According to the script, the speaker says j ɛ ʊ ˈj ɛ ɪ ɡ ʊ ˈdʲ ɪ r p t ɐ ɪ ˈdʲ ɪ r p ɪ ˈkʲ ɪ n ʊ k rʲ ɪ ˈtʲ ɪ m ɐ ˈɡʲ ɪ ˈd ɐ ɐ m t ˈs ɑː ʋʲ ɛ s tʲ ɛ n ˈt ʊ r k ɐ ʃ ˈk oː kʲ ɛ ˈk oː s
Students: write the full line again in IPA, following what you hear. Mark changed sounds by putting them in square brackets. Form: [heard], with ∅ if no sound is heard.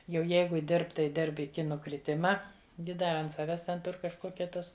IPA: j ɛ ʊ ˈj ɛ ɪ ɡ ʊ ˈdʲ ɪ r p t ɐ ɪ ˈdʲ ɪ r p ɪ ˈkʲ ɪ n ʊ k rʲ ɪ ˈtʲ ɪ m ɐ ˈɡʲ ɪ ˈd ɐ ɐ [n] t ˈs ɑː ʋʲ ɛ s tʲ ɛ n ˈt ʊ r k ɐ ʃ ˈk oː kʲ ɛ [ˈt] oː s